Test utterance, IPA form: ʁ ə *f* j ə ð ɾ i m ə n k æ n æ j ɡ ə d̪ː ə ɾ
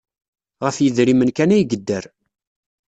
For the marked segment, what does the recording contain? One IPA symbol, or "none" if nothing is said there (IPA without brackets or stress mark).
f